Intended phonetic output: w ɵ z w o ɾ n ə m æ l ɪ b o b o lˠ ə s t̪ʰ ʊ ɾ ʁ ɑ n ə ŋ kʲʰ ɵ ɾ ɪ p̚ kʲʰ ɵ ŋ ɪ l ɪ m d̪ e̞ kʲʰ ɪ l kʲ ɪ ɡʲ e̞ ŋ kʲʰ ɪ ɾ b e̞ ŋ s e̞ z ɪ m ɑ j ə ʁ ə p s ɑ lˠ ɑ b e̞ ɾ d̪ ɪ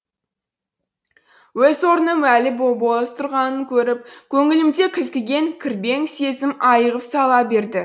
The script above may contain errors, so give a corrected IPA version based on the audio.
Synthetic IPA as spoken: w ɵ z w o ɾ n ə m æ l ɪ b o b o lˠ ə s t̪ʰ ʊ ɾ ʁ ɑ n ə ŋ kʲʰ ɵ ɾ ɪ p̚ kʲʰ ɵ ŋ ɪ l ɪ m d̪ e̞ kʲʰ ɪ l kʲ ɪ ɡʲ e̞ ŋ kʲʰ ɪ ɾ b e̞ ŋ s e̞ z ɪ m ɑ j ə ʁ ə p s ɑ lˠ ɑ b e̞ ɾ d̪ ɪ